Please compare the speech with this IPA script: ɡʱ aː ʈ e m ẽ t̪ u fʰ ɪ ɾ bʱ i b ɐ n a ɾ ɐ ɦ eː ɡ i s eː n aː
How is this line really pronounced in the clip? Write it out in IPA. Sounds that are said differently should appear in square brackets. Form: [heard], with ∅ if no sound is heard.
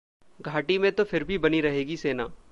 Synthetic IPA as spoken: ɡʱ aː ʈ [i] m ẽ t̪ [o] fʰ ɪ ɾ bʱ i b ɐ n [i] ɾ ɐ ɦ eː ɡ i s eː n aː